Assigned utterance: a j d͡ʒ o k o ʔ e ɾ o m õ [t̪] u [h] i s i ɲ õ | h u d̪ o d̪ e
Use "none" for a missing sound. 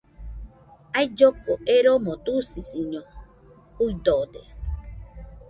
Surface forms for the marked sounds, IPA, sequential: t̪, s

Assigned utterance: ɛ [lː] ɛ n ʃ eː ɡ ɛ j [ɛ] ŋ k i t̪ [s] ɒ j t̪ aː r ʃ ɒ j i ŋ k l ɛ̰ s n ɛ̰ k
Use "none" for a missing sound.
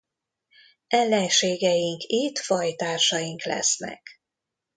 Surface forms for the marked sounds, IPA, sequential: lː, i, f

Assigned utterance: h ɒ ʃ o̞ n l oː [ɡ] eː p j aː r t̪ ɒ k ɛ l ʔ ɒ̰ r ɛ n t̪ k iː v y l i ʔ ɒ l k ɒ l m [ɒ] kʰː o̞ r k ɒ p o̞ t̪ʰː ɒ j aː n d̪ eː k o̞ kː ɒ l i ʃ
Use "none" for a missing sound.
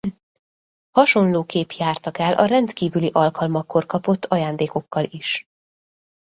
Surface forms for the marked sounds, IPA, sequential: k, ɒ

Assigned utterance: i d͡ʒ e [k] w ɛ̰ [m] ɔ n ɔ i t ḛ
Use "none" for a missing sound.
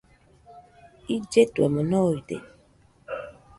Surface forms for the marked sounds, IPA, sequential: t, m

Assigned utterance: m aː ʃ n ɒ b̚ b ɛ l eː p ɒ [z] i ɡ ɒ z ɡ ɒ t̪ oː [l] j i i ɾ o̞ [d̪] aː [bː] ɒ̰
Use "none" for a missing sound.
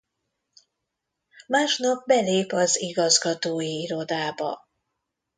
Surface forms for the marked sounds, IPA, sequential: z, none, d̪, b

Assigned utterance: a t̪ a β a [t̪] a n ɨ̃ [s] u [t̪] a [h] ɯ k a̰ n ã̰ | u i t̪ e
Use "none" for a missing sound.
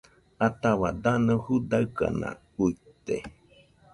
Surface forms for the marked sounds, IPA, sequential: d̪, h, d̪, none

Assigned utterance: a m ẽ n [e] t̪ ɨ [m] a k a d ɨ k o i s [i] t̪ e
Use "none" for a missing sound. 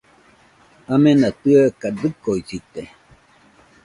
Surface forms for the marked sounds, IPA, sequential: a, none, i

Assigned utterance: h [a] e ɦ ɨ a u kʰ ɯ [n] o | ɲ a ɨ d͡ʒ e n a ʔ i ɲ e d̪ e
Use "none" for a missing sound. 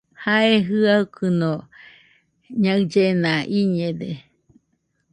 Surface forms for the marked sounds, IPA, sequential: a, n

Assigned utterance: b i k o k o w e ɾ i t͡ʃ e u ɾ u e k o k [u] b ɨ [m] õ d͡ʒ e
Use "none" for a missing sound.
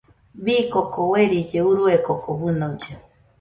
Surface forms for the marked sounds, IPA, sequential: o, n

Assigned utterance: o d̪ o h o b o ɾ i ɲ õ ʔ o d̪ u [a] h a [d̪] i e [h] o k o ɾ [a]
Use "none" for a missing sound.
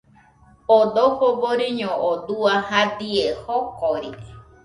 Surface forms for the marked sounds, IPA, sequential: a, d̪, h, i

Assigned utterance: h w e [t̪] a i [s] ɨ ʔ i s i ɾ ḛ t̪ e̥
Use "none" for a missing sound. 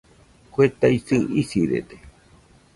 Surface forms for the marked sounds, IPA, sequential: t̪, s

